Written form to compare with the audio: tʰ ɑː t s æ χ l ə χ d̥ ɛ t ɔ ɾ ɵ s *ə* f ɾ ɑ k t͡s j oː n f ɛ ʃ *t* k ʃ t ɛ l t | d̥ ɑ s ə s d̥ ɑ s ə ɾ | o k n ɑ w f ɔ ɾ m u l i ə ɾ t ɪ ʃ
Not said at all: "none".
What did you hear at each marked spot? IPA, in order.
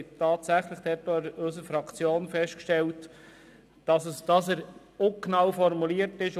ə, t

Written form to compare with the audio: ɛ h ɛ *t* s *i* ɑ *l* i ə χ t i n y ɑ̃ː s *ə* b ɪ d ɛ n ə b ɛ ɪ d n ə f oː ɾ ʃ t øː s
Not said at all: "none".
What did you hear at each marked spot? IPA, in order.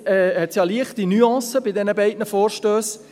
t, j, l, ə

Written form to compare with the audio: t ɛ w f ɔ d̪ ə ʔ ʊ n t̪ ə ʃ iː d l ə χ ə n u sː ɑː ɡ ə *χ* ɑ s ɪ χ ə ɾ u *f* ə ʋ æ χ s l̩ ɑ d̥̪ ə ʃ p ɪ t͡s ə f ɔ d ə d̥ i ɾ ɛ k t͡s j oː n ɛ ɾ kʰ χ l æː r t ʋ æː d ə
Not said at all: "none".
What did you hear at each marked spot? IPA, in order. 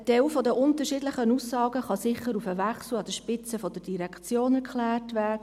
χ, f

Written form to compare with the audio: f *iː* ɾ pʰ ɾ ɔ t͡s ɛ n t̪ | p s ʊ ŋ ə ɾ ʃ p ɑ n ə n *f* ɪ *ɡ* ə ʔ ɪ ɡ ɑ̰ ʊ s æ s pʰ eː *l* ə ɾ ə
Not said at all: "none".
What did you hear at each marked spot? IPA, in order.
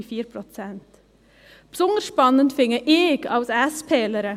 iː, f, ŋ, l

